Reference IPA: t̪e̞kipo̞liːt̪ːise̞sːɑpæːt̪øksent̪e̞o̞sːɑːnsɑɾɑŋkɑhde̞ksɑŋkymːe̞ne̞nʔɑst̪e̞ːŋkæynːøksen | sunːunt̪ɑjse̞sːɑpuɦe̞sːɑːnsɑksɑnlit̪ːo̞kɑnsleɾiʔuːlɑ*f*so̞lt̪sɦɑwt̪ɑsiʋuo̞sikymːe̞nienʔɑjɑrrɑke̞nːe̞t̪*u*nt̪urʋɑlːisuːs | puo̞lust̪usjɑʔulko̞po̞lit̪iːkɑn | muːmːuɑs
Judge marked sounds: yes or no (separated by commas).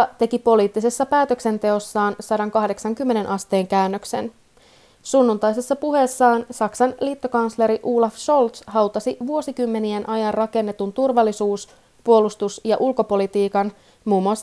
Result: yes, yes